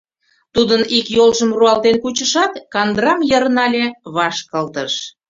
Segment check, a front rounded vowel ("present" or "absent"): absent